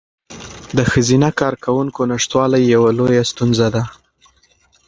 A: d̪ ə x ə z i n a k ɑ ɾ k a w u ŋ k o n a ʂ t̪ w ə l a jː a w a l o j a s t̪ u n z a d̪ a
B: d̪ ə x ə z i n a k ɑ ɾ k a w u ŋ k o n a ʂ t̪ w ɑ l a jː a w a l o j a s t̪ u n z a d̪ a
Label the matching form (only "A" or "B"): B